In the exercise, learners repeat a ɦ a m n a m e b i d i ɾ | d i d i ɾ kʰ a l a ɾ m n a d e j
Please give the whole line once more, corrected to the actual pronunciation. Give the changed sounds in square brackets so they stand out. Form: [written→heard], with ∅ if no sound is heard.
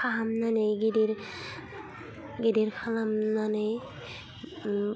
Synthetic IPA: a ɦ a m n a [m→n] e [b→ɡ] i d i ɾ | [d→ɡ] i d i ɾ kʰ a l a [ɾ→∅] m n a [d→n] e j

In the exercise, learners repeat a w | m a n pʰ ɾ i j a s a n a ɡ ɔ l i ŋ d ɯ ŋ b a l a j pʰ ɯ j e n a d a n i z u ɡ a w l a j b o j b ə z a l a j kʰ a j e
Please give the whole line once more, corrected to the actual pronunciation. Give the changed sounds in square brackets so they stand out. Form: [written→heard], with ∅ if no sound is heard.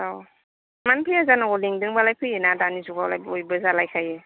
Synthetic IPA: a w | m a n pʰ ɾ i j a [s→z] a n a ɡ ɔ l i ŋ d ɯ ŋ b a l a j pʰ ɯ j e n a d a n i z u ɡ a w l a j b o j b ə z a l a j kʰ a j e

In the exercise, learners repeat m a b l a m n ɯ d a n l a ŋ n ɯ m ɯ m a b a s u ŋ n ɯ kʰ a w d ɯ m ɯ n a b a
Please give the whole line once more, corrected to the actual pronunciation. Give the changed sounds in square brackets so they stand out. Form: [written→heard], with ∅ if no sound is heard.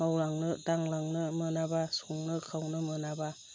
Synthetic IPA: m a [b→w] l a [m→ŋ] n ɯ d a [n→ŋ] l a ŋ n ɯ m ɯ [m→n] a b a s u ŋ n ɯ kʰ a w [d→n] ɯ m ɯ n a b a

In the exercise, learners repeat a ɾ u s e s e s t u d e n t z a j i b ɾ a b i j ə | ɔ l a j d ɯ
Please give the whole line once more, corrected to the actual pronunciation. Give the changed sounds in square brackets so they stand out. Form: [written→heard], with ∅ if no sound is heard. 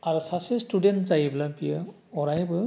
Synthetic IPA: a ɾ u s [e→a] s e s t u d e n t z a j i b [ɾ→l] a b i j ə | ɔ [l→ɾ] a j [d→b] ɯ

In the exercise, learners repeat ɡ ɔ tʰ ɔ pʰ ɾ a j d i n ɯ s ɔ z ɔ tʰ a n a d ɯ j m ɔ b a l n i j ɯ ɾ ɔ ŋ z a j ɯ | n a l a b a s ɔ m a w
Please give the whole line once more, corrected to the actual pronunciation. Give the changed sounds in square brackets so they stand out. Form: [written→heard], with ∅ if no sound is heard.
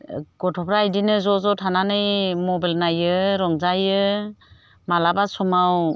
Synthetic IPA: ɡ ɔ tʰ ɔ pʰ ɾ a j d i n ɯ [s→z] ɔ z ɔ tʰ a n a [d→n] ɯ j m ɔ b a l n [i→a] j ɯ ɾ ɔ ŋ z a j ɯ | [n→m] a l a b a s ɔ m a w

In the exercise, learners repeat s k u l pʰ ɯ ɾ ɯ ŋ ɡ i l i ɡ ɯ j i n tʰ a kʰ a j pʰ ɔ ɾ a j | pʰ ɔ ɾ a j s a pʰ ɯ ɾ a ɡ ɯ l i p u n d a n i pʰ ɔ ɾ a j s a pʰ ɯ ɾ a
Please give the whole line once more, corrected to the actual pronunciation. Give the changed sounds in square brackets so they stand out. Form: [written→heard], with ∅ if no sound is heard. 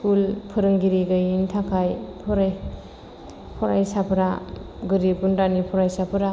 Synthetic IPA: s k u l pʰ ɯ ɾ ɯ ŋ ɡ i [l→ɾ] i ɡ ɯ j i n tʰ a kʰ a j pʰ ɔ ɾ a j | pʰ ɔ ɾ a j s a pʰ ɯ ɾ a ɡ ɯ [l→ɾ] i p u n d a n i pʰ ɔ ɾ a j s a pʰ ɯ ɾ a

